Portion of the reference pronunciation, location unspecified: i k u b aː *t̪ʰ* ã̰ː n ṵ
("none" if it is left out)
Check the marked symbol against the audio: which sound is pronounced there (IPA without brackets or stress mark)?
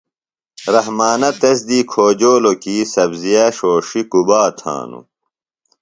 t̪ʰ